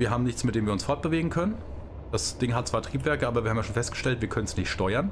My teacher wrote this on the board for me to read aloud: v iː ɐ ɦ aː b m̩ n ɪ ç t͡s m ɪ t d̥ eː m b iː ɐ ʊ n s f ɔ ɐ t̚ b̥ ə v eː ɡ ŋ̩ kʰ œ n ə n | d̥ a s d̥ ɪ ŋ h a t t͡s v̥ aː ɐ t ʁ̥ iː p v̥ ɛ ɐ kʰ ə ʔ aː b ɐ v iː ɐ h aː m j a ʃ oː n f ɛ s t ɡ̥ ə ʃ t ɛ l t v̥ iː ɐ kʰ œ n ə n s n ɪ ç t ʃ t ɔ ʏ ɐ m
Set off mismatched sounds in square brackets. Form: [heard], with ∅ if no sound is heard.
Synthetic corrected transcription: v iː ɐ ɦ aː b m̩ n ɪ ç t͡s m ɪ t d̥ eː m [v] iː ɐ ʊ n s f ɔ ɐ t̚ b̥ ə v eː ɡ ŋ̩ kʰ œ n ə n | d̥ a s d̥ ɪ ŋ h a t t͡s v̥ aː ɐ t ʁ̥ iː p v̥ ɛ ɐ [k] ə ʔ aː b ɐ v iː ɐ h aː m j a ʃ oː n f ɛ s t ɡ̥ ə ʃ t ɛ l t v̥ iː ɐ kʰ œ n ə n s n ɪ ç t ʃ t ɔ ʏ ɐ [n]

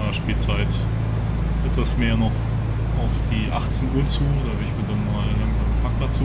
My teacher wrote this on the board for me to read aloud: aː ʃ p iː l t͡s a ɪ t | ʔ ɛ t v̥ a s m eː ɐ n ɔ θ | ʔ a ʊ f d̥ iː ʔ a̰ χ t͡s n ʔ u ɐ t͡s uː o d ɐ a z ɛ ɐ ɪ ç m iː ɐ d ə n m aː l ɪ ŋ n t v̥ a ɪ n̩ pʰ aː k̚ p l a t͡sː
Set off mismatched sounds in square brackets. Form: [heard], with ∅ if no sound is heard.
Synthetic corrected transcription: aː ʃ p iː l t͡s a ɪ t | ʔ ɛ t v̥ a s m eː ɐ n ɔ [χ] | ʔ a ʊ f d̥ iː ʔ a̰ χ t͡s n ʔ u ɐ t͡s uː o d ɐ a [v] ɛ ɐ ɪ ç m iː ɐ d [a] n m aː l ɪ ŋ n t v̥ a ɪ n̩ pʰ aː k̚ p l a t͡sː

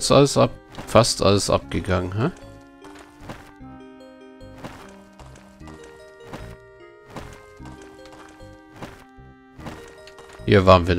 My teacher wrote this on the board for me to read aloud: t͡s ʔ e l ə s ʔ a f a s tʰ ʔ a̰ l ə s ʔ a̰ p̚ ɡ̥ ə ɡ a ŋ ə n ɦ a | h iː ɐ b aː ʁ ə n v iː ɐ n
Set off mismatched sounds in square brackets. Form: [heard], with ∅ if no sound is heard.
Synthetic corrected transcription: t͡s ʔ [a] l ə s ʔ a f a s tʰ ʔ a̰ l ə s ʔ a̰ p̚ ɡ̥ ə ɡ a ŋ ə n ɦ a | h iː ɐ [v] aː ʁ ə n v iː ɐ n

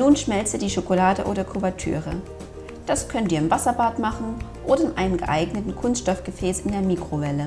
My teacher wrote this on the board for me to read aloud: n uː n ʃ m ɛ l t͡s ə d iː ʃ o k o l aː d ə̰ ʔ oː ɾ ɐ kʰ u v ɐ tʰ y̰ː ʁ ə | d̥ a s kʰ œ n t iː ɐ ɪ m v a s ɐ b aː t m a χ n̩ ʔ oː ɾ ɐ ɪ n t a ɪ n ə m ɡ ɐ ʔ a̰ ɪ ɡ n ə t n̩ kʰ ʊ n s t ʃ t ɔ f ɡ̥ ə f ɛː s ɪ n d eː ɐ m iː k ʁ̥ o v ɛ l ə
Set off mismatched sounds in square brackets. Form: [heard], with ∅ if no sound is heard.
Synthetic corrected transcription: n uː n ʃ m ɛ l t͡s ə d iː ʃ o k o l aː d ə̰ ʔ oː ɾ ɐ kʰ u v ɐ tʰ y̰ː ʁ ə | d̥ a s kʰ œ n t iː ɐ ɪ m v a s ɐ b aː t m a χ n̩ ʔ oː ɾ ɐ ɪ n [ʔ] a ɪ n ə m ɡ [ə] ʔ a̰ ɪ ɡ n ə t n̩ kʰ ʊ n s t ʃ t ɔ f ɡ̥ ə f ɛː s ɪ n d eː ɐ m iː k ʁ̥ o v ɛ l ə

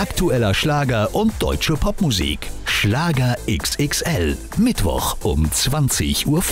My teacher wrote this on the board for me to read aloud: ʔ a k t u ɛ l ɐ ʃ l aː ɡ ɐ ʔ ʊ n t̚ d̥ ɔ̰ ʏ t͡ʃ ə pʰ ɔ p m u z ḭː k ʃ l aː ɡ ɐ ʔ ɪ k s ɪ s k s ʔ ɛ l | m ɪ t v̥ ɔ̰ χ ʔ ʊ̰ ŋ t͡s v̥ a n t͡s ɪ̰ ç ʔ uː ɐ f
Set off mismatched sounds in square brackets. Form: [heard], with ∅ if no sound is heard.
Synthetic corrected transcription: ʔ a k t u ɛ l ɐ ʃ l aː ɡ ɐ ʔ ʊ n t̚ d̥ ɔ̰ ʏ t͡ʃ ə pʰ ɔ p m u z ḭː k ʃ l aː ɡ ɐ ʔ ɪ k s ɪ [∅] k s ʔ ɛ l | m ɪ t v̥ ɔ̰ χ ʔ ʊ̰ [m] t͡s v̥ a n t͡s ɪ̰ ç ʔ uː ɐ f

